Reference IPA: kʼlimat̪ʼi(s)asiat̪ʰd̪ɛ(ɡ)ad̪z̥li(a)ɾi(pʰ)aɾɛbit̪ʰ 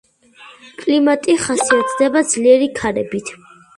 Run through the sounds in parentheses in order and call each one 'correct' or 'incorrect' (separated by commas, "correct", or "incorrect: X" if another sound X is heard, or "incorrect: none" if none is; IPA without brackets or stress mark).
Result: incorrect: χ, incorrect: b, incorrect: ɛ, incorrect: kʰ